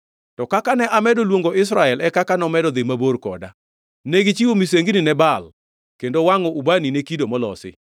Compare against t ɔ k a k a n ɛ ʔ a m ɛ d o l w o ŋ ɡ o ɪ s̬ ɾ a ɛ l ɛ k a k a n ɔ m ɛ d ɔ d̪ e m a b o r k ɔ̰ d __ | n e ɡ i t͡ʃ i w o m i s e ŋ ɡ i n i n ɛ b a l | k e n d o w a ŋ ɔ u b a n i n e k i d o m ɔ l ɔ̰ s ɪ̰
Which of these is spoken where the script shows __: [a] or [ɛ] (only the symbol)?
a